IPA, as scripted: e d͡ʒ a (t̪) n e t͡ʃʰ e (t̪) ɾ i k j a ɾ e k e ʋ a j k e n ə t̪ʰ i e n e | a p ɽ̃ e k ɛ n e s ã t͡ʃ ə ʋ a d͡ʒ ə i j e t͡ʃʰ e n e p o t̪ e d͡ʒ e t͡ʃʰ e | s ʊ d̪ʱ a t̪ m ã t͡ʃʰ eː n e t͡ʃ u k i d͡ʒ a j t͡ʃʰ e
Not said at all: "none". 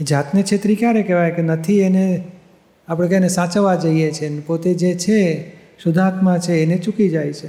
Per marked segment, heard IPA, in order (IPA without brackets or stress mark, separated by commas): t̪, t̪